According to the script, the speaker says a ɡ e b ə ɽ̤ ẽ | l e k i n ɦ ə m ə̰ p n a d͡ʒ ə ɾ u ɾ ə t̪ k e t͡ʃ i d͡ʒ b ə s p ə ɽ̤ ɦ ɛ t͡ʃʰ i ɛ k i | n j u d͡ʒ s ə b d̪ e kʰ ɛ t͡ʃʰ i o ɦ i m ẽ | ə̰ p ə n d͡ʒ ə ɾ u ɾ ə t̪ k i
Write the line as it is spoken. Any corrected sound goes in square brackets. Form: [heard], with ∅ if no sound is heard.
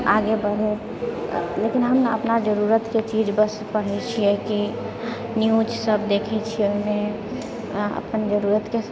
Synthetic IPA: a ɡ e b ə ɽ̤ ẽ | l e k i n ɦ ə m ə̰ p n a d͡ʒ ə ɾ u ɾ ə t̪ k e t͡ʃ i d͡ʒ b ə s p ə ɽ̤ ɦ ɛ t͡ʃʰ i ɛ k i | n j u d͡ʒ s ə b d̪ e kʰ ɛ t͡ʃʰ i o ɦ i m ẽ | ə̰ p ə n d͡ʒ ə ɾ u ɾ ə t̪ k [e]